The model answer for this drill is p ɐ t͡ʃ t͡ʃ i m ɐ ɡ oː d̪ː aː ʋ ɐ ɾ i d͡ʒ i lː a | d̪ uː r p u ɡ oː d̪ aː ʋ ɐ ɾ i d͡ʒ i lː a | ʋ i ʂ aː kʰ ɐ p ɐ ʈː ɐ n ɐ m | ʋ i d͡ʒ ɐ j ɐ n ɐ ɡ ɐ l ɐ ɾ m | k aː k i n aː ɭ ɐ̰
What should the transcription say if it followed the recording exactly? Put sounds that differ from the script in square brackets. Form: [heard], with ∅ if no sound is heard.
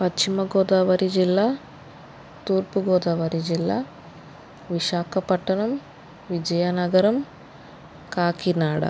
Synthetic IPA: p ɐ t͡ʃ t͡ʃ i m ɐ ɡ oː [d̪] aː ʋ ɐ ɾ i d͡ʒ i lː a | [t̪] uː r p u ɡ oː d̪ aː ʋ ɐ ɾ i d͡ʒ i lː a | ʋ i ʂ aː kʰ ɐ p ɐ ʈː ɐ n ɐ m | ʋ i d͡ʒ ɐ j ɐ n ɐ ɡ ɐ [ɾ] ɐ [∅] m | k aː k i n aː [ɽ] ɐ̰